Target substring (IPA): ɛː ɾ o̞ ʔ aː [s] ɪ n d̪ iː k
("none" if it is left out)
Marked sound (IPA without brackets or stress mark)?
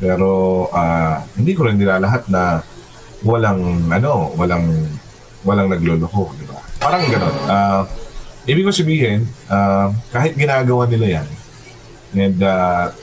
h